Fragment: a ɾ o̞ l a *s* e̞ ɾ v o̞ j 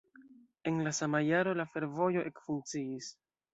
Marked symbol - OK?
no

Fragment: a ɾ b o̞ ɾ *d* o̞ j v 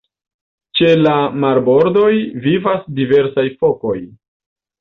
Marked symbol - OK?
yes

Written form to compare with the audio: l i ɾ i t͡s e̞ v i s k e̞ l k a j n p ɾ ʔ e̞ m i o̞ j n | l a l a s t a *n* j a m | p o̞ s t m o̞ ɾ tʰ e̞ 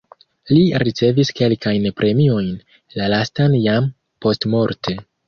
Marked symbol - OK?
yes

